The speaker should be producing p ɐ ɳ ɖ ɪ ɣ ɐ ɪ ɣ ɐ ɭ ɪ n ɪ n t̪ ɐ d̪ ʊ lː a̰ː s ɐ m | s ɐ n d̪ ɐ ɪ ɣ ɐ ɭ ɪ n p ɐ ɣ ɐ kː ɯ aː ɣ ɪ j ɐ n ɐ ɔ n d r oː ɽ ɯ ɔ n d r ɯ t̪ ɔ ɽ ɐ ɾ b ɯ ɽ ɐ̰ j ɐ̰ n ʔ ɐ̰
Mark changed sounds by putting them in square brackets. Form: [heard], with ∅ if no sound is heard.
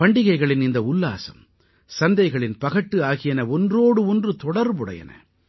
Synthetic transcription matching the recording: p ɐ ɳ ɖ ɪ ɣ ɐ ɪ ɣ ɐ ɭ ɪ n ɪ n [d̪] ɐ [∅] ʊ lː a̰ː s ɐ m | s ɐ n d̪ ɐ ɪ ɣ ɐ ɭ ɪ n p ɐ ɣ ɐ [ʈː] ɯ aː ɣ ɪ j ɐ n ɐ ɔ n d r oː ɽ ɯ ɔ n d r ɯ t̪ ɔ ɽ ɐ ɾ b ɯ ɽ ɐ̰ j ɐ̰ n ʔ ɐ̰